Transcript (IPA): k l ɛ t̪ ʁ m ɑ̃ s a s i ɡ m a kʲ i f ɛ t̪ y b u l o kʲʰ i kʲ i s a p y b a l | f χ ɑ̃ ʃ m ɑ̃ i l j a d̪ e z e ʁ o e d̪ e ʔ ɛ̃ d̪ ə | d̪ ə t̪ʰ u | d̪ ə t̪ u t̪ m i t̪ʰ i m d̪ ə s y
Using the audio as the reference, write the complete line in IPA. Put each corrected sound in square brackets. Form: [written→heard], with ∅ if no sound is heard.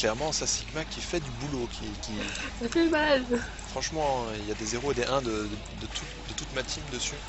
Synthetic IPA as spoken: k l ɛ [t̪→∅] ʁ m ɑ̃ s a s i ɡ m a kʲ i f ɛ [t̪→d̪] y b u l o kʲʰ i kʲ i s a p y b a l | f χ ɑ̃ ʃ m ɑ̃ i l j a d̪ e z e ʁ o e d̪ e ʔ ɛ̃ d̪ ə | d̪ ə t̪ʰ u | d̪ ə t̪ u t̪ m [i→a] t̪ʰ i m d̪ ə s y